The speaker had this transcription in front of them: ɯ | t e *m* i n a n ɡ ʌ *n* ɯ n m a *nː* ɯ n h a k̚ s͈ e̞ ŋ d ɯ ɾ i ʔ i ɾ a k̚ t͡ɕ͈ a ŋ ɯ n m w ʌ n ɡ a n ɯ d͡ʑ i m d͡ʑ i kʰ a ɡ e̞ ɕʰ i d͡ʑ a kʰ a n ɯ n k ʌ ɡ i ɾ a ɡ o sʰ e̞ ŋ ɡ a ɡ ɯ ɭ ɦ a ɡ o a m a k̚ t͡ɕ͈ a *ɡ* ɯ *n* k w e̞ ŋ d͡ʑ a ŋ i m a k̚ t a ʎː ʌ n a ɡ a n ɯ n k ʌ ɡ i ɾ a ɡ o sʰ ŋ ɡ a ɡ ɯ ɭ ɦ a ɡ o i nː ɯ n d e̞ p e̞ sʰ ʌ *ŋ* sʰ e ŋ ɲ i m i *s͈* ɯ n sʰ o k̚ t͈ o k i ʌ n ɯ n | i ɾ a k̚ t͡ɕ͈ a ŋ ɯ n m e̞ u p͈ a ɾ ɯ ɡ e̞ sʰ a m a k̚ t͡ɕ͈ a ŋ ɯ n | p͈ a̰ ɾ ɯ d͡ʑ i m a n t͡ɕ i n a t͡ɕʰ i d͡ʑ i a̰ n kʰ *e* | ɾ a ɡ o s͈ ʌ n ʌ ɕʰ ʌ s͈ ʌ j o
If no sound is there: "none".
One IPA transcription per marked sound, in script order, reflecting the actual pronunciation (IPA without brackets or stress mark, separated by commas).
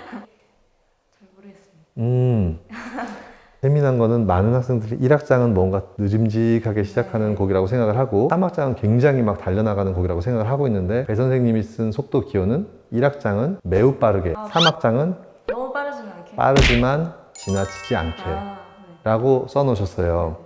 m, n, n, ŋ, n, n, s͈, e